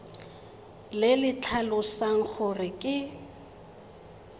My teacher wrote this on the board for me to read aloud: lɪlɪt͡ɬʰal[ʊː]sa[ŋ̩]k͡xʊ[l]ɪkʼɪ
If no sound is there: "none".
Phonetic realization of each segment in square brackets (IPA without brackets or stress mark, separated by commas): ʊ, ŋ̩, r